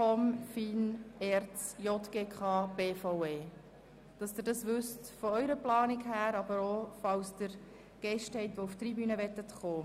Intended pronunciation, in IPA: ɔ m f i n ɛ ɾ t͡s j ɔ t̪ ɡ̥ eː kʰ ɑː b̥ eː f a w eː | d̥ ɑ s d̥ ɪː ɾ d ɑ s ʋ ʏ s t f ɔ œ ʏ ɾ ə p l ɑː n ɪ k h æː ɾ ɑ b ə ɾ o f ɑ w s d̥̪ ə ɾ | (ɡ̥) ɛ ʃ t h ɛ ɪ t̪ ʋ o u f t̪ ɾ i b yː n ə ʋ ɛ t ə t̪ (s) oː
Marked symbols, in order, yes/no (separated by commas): yes, no